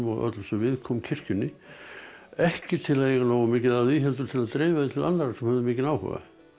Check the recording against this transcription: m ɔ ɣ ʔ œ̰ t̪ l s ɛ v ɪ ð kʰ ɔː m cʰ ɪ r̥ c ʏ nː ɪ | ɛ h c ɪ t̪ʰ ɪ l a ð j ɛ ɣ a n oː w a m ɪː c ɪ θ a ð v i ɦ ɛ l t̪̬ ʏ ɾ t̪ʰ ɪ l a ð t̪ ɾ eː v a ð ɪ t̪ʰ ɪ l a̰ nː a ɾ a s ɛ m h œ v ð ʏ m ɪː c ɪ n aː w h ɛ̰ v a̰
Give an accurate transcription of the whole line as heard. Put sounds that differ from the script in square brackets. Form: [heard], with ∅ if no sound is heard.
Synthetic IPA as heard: m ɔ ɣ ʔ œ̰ t̪ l s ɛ v ɪ ð kʰ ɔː m cʰ ɪ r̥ c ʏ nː ɪ | ɛ h c ɪ t̪ʰ ɪ l a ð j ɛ ɣ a n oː w a m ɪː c ɪ [ð] a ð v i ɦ ɛ l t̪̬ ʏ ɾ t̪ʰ ɪ l a ð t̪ ɾ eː v a ð ɪ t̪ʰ ɪ l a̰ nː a ɾ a s ɛ m h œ v ð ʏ m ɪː c ɪ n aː w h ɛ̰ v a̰